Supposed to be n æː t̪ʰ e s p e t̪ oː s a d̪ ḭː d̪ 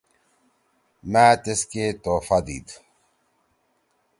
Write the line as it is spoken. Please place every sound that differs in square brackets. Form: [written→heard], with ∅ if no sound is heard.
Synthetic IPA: [n→m] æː [t̪ʰ→t̪] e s [p→k] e t̪ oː [s→f] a d̪ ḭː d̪